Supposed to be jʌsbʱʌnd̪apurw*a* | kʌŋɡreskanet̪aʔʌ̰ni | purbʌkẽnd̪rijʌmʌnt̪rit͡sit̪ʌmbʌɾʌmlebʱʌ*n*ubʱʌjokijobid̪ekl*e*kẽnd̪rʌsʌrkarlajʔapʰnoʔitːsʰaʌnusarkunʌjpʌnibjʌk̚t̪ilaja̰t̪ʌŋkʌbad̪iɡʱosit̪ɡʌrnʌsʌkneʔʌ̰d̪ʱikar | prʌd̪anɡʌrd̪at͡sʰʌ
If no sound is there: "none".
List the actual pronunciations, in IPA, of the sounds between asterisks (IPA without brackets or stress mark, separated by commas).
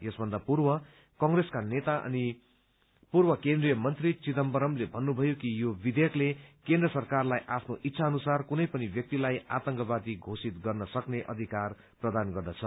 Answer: ʌ, nː, e